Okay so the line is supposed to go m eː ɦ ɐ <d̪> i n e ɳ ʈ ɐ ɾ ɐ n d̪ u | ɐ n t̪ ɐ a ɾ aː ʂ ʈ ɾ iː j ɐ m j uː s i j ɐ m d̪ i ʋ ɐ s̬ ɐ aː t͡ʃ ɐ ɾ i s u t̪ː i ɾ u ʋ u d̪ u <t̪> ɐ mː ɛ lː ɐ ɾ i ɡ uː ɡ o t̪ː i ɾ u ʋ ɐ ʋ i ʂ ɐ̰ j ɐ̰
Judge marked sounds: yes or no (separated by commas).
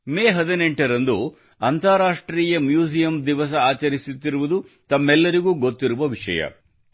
yes, yes